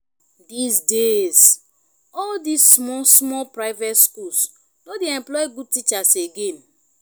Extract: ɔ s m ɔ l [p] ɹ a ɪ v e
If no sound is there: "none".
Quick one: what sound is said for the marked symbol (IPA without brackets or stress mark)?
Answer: p